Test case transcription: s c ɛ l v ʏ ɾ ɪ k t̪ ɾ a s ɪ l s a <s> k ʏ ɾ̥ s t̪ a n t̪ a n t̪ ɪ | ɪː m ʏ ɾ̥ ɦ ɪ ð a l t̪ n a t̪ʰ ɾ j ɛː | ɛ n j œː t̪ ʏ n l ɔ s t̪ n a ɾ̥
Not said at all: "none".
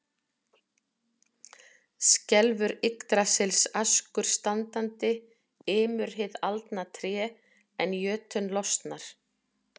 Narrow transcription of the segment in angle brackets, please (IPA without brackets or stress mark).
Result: s